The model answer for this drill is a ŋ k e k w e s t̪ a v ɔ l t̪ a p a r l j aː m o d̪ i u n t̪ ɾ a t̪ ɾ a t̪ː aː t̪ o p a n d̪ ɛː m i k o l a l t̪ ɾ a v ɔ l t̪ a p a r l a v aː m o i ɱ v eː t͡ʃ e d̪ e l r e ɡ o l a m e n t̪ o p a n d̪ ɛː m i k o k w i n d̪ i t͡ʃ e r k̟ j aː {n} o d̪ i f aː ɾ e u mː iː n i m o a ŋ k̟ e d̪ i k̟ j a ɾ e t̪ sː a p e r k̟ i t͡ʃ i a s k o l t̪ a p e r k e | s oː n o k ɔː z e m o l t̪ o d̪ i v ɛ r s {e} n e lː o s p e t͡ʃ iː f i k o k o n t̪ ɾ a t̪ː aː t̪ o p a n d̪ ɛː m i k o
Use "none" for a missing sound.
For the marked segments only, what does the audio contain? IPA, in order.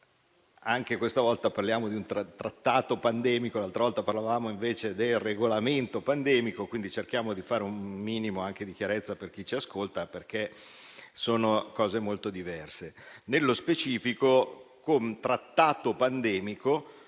m, e

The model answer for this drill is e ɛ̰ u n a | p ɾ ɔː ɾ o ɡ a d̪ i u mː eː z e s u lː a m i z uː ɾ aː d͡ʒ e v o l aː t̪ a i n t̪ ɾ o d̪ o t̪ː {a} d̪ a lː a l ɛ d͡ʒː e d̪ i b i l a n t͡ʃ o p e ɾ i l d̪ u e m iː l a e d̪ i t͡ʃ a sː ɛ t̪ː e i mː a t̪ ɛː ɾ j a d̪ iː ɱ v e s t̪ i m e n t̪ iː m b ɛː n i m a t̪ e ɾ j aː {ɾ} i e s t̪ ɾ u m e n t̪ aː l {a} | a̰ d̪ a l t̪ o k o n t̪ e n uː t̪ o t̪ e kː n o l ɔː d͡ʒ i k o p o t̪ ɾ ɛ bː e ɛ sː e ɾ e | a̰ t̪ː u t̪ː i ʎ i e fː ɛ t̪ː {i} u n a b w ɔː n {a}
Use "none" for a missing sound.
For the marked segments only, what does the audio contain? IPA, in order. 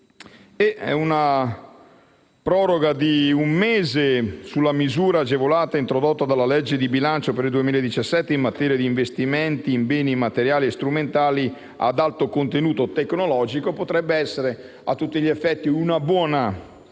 a, l, i, i, a

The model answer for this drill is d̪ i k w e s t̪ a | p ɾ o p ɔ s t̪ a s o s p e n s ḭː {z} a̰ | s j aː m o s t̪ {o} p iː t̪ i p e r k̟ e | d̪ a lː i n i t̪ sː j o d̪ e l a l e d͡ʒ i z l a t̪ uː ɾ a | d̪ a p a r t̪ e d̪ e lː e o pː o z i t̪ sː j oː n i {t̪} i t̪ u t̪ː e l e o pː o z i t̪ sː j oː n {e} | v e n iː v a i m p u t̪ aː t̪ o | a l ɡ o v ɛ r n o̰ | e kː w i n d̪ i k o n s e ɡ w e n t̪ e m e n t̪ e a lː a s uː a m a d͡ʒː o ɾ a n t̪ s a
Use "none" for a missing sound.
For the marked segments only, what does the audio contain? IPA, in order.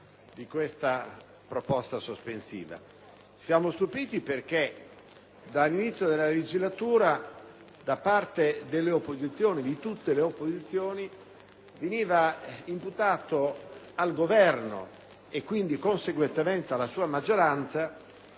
v, u, d̪, i

